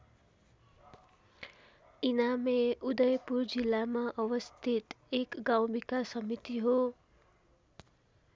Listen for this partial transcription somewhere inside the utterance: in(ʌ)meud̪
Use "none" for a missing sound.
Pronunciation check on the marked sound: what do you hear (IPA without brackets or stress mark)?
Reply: a